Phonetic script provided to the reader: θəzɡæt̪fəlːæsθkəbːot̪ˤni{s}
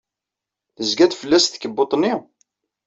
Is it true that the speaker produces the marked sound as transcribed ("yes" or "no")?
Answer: no